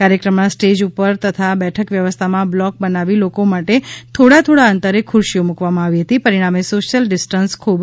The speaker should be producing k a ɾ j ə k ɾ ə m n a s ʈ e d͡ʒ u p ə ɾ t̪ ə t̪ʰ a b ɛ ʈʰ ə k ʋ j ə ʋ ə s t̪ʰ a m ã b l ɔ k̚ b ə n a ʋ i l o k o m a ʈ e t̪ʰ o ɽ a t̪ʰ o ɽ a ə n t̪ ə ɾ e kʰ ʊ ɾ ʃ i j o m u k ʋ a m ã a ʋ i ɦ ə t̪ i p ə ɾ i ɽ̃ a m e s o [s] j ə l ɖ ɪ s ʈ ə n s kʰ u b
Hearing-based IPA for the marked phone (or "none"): ʃ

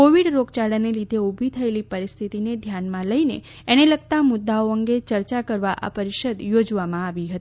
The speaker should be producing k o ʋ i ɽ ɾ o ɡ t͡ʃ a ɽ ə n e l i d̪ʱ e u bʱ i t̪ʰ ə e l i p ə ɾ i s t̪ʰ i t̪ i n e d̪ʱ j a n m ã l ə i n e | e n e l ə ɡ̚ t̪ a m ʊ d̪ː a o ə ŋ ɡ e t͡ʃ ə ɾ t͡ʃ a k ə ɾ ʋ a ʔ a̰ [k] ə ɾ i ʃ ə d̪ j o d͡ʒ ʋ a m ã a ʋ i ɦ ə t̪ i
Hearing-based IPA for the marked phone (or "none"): p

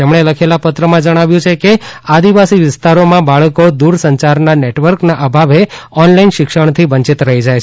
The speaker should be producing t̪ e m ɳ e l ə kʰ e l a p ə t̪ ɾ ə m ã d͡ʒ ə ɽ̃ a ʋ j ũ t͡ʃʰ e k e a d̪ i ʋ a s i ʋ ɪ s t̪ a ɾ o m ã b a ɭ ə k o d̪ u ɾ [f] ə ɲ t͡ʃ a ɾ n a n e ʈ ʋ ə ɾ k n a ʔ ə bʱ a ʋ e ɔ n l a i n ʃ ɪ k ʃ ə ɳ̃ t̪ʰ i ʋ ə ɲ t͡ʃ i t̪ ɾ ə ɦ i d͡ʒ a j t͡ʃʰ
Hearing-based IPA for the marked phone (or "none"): s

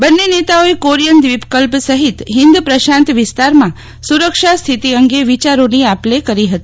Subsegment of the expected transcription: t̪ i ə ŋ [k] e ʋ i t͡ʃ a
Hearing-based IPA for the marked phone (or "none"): ɡ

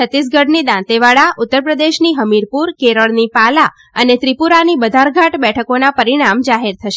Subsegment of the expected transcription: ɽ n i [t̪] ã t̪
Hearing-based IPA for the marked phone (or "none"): d̪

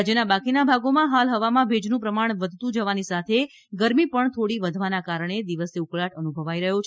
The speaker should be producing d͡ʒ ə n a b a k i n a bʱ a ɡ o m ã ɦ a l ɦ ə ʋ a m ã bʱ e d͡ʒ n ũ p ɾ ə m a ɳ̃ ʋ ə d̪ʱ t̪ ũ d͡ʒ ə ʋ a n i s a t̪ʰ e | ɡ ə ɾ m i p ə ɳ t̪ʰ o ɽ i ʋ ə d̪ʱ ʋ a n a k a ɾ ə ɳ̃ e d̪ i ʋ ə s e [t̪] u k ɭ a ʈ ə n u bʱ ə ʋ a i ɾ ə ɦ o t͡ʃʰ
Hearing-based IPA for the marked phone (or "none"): none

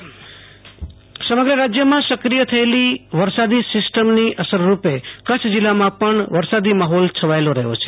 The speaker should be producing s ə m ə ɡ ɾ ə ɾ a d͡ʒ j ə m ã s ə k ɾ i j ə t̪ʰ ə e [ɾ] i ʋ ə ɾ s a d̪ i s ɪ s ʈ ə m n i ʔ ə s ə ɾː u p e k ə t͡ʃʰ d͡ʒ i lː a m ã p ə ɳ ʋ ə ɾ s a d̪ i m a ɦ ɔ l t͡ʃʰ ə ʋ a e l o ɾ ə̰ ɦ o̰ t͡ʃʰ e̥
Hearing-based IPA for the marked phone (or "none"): l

